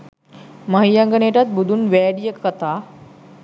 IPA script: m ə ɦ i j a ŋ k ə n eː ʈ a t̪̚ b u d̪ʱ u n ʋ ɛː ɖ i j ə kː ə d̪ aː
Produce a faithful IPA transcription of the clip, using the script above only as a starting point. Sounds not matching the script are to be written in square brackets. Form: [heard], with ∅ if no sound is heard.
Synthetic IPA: m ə ɦ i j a ŋ [ɡ] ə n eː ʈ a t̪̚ b u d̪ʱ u n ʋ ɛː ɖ i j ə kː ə [t̪] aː